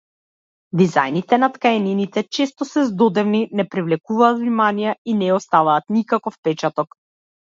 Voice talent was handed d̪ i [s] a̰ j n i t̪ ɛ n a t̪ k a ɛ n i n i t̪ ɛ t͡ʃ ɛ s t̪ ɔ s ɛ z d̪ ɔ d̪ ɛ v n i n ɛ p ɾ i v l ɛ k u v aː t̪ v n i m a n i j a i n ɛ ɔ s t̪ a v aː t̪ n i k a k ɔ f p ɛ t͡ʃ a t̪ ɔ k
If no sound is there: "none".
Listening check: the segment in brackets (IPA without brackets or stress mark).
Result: z